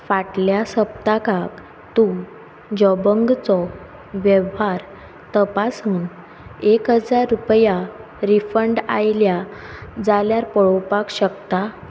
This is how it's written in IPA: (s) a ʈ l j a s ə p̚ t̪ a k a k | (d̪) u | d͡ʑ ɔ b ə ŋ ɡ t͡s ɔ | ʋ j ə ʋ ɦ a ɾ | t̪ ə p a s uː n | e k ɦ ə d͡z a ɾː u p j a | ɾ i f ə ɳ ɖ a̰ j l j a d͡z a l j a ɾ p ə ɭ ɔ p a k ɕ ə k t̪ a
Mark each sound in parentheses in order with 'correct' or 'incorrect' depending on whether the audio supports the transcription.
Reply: incorrect, incorrect

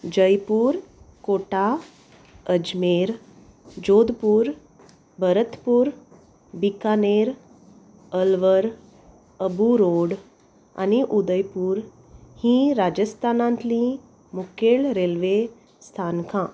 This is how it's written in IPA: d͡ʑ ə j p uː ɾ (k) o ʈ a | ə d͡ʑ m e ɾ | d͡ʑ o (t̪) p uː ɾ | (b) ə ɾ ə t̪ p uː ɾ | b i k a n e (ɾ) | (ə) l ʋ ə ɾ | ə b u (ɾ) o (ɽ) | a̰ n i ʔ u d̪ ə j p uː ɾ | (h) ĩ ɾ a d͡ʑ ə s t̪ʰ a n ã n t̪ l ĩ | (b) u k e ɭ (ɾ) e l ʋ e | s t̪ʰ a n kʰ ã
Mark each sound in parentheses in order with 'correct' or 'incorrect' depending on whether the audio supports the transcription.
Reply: correct, incorrect, correct, correct, correct, correct, correct, correct, incorrect, correct

